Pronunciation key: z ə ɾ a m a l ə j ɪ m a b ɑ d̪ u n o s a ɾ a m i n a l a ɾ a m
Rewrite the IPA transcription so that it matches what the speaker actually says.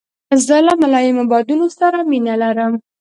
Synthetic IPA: z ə l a m a l ɑ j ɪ m a b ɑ d̪ u n o s a ɾ a m i n a l a ɾ ə m